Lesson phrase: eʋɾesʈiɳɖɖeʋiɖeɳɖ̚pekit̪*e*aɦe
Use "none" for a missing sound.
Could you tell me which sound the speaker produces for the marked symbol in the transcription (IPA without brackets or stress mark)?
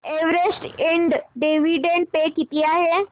i